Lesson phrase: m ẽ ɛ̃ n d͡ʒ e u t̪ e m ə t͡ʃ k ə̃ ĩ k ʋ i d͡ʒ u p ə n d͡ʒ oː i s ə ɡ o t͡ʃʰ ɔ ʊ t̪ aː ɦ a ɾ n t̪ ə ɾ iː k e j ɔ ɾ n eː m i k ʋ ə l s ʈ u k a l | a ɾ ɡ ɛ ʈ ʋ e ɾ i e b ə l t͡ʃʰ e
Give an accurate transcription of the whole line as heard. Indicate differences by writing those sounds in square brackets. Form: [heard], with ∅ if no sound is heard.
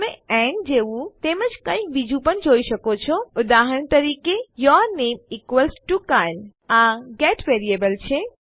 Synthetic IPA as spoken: m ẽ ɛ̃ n d͡ʒ e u t̪ e m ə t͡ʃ k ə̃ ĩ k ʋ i d͡ʒ u p ə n d͡ʒ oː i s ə [k] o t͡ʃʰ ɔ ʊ [d̪] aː ɦ [ə] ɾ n t̪ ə ɾ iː k e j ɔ ɾ n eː m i k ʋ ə l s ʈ u k a l | a [∅] ɡ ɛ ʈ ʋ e ɾ i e b ə l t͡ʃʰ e